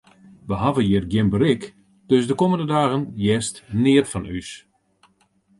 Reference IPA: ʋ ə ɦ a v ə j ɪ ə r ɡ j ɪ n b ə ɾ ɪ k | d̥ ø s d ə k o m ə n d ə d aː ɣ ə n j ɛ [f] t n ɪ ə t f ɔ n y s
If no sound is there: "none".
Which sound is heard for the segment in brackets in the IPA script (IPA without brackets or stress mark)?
s